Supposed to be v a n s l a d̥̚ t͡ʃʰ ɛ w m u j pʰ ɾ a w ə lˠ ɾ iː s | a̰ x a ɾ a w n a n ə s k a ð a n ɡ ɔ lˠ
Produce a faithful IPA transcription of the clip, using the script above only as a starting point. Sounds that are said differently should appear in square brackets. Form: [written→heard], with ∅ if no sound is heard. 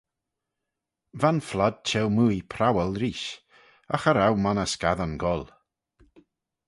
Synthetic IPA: v a n [s→f] l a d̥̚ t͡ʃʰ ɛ w m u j pʰ ɾ a w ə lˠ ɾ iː [s→ʃ] | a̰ x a ɾ a w [n→m] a n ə s k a ð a n ɡ ɔ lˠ